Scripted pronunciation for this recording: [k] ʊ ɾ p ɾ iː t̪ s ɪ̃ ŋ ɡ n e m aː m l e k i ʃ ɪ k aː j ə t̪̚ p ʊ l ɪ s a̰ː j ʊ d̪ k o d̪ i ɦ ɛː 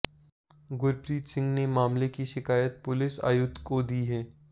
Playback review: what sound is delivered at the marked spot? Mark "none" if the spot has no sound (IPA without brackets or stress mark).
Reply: ɡ